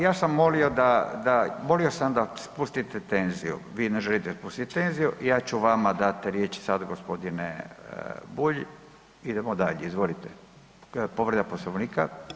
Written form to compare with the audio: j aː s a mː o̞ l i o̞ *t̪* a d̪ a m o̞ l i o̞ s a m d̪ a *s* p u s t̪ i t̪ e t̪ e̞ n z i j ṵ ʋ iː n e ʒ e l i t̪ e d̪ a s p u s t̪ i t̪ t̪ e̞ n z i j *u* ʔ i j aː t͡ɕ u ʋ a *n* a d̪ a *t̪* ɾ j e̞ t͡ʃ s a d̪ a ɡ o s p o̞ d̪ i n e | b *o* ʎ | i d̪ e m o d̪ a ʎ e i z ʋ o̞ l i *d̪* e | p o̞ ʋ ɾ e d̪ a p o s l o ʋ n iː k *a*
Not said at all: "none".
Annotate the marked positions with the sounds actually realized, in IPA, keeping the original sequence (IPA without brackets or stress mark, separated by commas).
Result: d̪, s, u, m, t̪, u, t̪, a